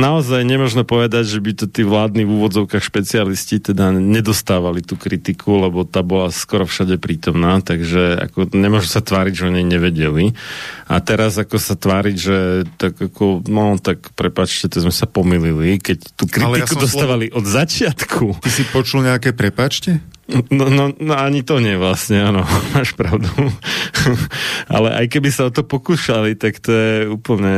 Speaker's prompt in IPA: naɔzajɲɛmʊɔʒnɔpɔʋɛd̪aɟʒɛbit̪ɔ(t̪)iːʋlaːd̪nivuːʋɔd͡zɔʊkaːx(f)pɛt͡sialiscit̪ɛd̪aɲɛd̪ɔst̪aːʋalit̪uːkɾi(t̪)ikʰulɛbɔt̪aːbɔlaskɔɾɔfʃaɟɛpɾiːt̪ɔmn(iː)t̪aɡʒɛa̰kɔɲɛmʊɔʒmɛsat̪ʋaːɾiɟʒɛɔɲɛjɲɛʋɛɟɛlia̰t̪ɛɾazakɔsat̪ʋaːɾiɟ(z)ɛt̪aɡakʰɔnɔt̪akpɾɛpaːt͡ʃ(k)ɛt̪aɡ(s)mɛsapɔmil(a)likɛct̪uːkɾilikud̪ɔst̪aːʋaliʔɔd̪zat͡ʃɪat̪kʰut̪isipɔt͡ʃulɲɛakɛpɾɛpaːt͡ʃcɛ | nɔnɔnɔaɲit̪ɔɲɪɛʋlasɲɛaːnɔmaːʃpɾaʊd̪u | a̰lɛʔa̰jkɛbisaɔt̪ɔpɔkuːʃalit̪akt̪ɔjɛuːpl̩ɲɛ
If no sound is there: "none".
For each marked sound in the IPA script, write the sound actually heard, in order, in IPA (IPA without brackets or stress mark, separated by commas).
t̪, ʃ, t̪, aː, ʒ, c, z, i